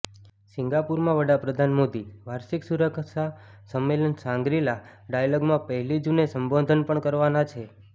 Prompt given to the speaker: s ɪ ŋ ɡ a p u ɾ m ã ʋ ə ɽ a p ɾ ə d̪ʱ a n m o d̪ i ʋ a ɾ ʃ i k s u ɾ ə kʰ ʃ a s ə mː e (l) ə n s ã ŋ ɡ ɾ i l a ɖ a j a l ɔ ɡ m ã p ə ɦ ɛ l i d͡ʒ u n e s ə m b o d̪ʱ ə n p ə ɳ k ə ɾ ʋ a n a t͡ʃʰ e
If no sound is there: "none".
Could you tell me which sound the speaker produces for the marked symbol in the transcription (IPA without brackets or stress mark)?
l